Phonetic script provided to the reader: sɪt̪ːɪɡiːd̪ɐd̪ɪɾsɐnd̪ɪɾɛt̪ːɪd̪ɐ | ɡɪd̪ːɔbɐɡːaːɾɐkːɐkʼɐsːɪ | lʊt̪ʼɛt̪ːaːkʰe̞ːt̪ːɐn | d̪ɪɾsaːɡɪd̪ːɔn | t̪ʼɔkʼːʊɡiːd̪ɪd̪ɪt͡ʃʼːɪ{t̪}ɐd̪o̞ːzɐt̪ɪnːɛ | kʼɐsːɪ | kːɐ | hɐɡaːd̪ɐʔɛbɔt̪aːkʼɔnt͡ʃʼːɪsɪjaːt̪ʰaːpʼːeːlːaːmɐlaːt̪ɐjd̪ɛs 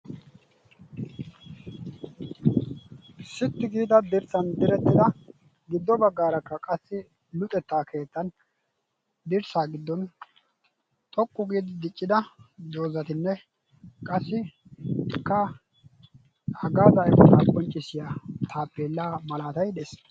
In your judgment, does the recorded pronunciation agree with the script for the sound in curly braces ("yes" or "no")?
no